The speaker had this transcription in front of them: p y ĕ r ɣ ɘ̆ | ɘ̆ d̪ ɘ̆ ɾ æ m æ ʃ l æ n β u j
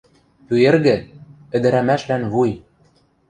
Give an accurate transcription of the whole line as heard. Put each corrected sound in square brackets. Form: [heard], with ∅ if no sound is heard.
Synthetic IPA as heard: p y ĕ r ɣ ɘ̆ | ɘ̆ d̪ ɘ̆ ɾ æ m æ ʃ l æ n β u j